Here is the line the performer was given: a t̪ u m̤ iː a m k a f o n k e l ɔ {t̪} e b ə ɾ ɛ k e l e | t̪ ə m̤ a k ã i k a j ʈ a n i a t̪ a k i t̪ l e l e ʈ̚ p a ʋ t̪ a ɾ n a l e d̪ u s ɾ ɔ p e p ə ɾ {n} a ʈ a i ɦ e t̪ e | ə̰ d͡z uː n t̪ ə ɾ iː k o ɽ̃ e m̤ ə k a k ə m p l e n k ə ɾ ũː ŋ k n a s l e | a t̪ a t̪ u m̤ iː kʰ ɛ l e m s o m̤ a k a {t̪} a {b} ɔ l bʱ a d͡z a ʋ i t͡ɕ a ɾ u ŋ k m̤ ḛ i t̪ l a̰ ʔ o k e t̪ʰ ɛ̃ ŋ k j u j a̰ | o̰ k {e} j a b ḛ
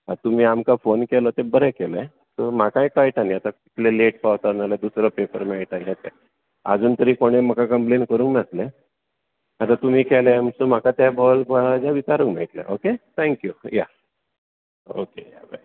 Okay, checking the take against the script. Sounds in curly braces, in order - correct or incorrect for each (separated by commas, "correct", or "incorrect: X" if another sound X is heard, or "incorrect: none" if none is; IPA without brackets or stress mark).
correct, incorrect: m, correct, correct, correct